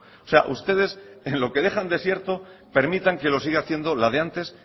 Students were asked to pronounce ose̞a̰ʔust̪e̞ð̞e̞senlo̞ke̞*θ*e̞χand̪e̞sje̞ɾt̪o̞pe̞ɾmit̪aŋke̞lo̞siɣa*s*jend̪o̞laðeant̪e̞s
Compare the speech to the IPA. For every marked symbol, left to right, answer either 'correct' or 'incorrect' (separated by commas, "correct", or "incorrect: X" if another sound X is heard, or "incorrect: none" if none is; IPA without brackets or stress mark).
incorrect: ð, incorrect: θ